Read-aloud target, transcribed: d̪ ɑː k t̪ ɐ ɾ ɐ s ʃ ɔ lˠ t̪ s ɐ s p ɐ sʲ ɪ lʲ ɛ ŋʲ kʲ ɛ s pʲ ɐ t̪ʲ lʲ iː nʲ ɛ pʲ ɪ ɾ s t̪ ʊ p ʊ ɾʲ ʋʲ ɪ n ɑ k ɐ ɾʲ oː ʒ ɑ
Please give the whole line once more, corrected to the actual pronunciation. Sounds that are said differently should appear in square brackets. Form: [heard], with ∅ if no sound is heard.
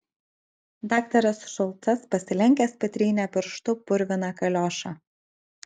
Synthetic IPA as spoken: d̪ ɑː k t̪ ɐ ɾ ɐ s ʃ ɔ lˠ t̪ s ɐ s p ɐ sʲ ɪ lʲ ɛ ŋʲ kʲ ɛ s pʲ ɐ t̪ʲ [ɾʲ] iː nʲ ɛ pʲ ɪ ɾ [ʃ] t̪ ʊ p ʊ ɾʲ ʋʲ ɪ n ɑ k ɐ [lʲ] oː [ʃ] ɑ